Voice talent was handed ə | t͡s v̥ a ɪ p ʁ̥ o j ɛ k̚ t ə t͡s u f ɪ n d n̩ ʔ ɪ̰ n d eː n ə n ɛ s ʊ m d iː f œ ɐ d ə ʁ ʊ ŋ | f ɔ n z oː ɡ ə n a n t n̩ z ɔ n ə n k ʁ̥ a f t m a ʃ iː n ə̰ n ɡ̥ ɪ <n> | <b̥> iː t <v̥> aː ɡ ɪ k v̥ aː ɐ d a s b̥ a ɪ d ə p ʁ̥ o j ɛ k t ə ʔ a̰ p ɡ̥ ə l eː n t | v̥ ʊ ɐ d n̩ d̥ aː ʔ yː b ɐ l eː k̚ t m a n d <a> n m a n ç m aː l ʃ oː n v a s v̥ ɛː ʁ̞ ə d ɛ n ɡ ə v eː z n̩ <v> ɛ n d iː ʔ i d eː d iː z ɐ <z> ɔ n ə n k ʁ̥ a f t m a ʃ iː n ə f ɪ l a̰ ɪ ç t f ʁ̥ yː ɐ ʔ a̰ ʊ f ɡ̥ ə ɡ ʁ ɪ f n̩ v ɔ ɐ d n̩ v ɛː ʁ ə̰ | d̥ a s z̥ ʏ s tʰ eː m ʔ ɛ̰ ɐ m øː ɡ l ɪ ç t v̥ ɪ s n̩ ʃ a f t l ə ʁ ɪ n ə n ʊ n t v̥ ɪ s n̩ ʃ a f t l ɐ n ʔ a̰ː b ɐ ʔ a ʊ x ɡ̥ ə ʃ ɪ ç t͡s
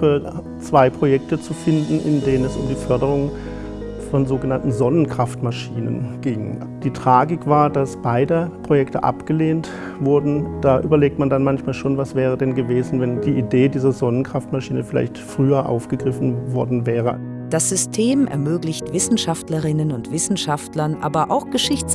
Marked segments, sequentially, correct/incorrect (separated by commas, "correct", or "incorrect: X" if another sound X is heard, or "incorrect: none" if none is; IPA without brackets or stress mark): incorrect: ŋ, incorrect: d̥, incorrect: ʁ̥, correct, correct, correct